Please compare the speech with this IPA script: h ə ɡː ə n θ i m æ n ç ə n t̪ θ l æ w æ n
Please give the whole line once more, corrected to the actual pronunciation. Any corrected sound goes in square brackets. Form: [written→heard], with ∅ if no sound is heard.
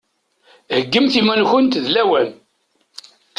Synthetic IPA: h ə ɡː ə [n→m] θ i m æ n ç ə n t̪ [θ→ð] l æ w æ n